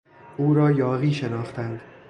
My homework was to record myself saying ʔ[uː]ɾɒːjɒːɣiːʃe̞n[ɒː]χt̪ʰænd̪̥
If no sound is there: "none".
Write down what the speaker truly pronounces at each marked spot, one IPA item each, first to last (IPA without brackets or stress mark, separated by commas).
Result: uː, ɒː